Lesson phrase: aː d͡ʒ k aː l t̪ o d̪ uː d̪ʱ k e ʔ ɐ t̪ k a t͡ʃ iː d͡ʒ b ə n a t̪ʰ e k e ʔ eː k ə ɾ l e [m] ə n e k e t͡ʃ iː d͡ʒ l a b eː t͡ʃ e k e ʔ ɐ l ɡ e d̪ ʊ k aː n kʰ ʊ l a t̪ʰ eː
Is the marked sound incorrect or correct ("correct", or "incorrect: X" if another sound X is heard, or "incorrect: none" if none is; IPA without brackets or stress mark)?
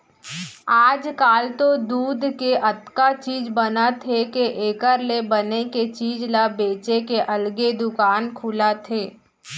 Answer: incorrect: b